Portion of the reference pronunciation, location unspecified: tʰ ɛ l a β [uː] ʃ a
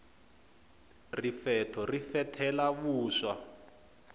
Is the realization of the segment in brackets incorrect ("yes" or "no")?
no